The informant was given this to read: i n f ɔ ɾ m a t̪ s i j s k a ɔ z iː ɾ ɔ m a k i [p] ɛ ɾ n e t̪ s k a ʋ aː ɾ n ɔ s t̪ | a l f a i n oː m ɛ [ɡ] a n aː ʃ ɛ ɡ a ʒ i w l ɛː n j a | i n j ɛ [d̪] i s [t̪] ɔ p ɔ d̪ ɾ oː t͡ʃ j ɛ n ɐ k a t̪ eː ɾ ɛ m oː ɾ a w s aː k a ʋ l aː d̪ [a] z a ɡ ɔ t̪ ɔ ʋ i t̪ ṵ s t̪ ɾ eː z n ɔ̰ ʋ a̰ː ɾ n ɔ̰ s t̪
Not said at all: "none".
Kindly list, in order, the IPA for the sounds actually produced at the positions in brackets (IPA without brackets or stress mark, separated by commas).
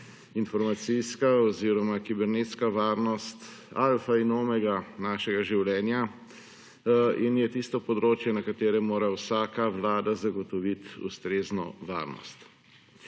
b, ɡ, t̪, t̪, a